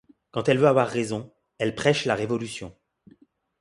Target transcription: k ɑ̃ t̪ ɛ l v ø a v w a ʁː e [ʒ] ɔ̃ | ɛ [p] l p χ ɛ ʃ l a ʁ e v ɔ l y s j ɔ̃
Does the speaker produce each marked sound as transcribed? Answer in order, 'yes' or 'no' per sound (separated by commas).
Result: no, no